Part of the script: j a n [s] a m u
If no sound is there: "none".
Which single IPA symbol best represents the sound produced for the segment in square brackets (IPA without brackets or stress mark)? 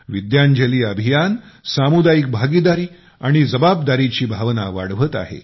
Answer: s